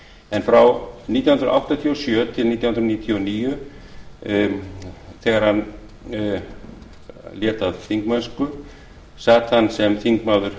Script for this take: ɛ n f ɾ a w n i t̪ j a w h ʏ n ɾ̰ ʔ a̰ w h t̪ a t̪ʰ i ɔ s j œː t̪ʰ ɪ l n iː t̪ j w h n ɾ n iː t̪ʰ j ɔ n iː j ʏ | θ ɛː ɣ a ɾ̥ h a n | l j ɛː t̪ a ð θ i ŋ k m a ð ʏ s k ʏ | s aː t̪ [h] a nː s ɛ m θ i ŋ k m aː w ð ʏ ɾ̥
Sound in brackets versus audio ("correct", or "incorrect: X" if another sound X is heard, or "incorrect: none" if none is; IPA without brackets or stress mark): correct